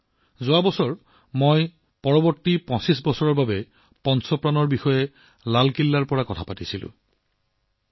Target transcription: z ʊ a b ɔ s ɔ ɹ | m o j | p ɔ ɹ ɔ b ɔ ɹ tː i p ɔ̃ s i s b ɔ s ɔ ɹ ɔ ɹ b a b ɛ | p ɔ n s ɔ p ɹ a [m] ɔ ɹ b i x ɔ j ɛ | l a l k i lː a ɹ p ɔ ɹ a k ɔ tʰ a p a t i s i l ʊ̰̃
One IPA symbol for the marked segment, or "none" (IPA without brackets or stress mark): n